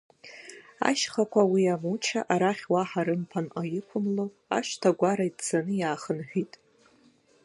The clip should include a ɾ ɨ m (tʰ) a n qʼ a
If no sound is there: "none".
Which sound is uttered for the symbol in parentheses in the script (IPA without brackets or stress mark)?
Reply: pʰ